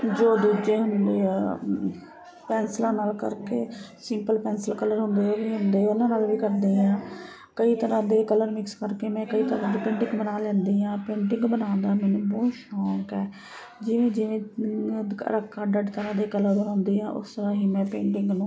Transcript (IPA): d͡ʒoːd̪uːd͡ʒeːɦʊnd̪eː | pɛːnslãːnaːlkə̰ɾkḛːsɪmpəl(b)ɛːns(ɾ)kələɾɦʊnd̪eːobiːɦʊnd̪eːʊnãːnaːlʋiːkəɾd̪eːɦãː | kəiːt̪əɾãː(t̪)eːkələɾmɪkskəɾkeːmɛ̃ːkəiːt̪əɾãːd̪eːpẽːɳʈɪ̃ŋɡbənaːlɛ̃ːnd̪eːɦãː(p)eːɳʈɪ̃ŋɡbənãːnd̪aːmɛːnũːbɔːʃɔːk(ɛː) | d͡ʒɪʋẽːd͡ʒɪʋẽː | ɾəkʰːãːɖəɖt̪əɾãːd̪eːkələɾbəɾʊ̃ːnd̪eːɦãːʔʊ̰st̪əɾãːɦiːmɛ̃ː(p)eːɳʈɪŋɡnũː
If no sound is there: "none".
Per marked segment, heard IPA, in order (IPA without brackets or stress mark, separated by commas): p, l, d̪, p, ɛː, p